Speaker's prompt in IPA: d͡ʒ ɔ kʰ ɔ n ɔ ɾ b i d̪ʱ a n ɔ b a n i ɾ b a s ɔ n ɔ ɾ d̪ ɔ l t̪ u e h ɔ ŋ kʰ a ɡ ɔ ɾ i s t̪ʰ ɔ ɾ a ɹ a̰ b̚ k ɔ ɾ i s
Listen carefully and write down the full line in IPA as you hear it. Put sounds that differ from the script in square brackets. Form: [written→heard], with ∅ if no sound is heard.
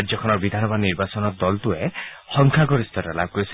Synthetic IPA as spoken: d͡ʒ ɔ kʰ ɔ n ɔ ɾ b i d̪ʱ a n ɔ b a n i ɾ b a s ɔ n ɔ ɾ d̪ ɔ l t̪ u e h ɔ ŋ kʰ a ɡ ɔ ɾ i s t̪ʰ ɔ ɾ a [ɹ→l] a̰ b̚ k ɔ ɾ i s